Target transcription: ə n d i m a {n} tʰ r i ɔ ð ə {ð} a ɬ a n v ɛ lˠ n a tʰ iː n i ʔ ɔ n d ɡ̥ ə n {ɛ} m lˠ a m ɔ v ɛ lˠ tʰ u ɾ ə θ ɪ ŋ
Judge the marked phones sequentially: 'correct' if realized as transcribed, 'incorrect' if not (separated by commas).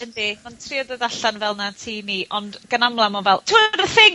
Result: correct, correct, incorrect